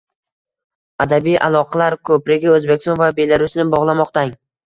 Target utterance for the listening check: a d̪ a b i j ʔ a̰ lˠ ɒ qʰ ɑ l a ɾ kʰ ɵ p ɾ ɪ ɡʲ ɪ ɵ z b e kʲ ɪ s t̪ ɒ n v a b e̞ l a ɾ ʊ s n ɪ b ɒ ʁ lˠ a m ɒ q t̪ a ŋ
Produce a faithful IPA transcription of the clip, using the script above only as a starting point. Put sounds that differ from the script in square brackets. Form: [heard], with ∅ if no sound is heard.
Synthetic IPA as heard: a d̪ a b i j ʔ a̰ lˠ ɒ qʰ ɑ l a ɾ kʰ ɵ p ɾ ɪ ɡʲ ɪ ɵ z b e kʲ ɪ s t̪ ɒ n v a b e̞ l a ɾ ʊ s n ɪ b ɒ ʁ lˠ a m ɒ q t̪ a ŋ